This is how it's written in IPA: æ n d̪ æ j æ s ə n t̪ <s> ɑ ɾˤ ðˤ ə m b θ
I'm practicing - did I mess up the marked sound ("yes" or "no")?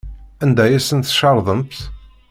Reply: yes